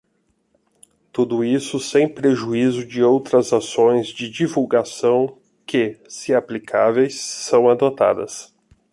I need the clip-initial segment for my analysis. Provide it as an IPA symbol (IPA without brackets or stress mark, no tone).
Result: t̪